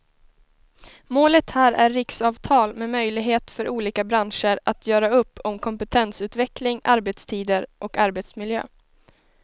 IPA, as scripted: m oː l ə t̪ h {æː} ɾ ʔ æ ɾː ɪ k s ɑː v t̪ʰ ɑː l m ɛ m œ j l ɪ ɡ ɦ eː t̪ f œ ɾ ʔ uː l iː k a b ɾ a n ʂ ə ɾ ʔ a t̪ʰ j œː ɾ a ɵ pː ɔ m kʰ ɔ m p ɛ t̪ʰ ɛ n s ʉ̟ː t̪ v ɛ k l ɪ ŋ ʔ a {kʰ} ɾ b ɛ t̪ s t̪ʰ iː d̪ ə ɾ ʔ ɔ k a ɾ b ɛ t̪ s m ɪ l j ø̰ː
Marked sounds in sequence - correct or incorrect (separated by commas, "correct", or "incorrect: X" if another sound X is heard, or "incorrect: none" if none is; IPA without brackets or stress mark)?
correct, incorrect: none